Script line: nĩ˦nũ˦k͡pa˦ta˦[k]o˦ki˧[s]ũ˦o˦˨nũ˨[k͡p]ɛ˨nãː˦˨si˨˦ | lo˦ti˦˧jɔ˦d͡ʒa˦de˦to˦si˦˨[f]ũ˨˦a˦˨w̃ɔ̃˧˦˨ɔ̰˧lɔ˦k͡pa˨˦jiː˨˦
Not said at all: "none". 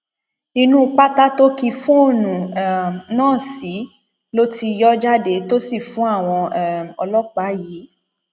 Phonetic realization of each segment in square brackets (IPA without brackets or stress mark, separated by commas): t, f, none, f